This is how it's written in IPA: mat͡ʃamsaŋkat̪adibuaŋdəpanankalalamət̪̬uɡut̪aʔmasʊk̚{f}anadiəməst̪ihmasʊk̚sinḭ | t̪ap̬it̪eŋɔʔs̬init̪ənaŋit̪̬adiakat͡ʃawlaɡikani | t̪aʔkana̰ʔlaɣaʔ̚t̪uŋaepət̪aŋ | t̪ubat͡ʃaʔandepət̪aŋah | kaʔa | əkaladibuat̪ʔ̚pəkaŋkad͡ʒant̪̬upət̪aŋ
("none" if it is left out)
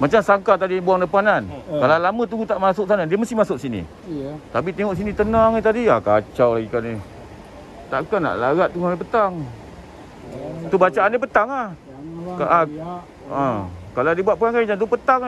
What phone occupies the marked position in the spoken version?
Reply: s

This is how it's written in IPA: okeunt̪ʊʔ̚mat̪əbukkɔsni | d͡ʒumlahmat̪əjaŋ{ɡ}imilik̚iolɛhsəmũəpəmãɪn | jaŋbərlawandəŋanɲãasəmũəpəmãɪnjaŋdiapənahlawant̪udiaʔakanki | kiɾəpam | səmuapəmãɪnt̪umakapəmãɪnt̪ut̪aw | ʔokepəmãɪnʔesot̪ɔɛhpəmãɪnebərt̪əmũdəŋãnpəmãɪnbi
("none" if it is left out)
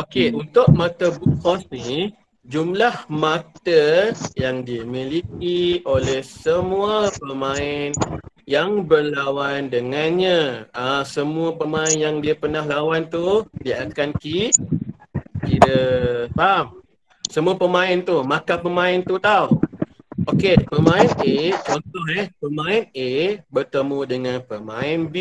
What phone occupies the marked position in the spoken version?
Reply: d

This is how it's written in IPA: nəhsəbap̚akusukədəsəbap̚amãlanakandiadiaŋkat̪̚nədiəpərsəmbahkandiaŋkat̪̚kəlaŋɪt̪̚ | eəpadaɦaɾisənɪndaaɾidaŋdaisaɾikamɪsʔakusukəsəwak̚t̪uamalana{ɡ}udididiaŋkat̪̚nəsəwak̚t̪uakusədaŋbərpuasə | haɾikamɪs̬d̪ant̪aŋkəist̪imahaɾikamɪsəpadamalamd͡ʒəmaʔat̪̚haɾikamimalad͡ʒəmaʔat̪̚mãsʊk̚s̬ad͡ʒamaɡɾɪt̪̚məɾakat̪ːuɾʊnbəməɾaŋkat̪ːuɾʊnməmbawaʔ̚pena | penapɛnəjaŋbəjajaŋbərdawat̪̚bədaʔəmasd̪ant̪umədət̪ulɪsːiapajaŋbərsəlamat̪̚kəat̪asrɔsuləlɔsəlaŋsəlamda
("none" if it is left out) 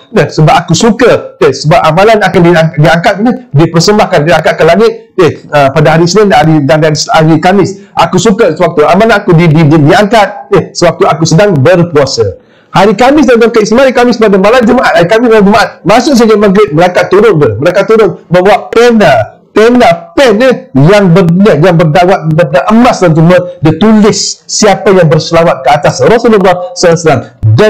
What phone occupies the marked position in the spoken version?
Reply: k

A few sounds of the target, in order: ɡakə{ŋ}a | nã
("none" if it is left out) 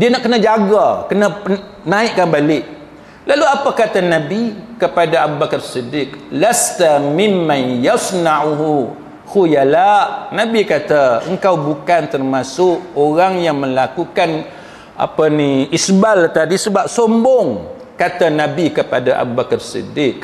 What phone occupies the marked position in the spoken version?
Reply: n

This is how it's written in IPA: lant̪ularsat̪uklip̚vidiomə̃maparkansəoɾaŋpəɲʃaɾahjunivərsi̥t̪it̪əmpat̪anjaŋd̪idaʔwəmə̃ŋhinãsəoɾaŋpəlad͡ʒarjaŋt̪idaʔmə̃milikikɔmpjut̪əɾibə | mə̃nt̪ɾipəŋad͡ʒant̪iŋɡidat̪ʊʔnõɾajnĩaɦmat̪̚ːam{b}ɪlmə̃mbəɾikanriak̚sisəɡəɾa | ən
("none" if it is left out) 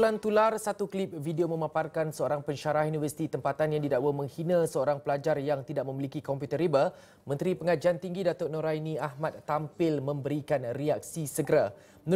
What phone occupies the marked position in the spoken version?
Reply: p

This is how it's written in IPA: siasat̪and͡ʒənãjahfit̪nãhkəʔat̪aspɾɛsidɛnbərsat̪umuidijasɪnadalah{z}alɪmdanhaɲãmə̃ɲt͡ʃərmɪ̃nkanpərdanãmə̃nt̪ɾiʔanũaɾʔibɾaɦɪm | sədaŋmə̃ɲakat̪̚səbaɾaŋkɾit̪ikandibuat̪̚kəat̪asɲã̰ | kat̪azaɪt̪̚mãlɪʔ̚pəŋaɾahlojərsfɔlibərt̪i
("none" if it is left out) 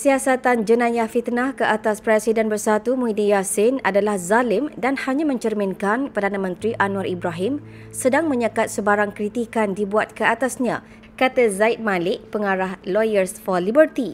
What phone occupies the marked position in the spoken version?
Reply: z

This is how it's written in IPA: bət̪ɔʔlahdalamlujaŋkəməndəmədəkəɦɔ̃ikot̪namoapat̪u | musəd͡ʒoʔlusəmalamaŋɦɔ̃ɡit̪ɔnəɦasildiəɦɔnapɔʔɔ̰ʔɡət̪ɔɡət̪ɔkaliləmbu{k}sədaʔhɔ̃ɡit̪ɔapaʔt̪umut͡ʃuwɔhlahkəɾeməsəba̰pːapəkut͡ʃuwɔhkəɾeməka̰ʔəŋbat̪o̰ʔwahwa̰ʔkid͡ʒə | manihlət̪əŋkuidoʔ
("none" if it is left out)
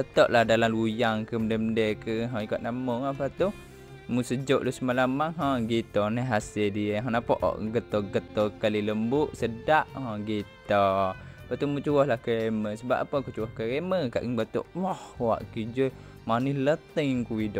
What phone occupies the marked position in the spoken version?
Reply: ʔ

